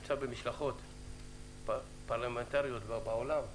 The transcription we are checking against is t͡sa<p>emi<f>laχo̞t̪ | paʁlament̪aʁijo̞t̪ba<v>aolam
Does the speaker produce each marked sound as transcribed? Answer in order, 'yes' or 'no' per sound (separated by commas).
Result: no, no, no